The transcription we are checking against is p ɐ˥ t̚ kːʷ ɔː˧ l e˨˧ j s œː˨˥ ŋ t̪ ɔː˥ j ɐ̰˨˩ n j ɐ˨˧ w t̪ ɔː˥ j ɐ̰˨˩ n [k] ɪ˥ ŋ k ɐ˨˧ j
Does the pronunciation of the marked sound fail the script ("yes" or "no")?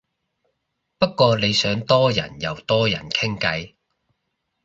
yes